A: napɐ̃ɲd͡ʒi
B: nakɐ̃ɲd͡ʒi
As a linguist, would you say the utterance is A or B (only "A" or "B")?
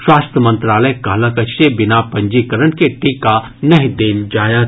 A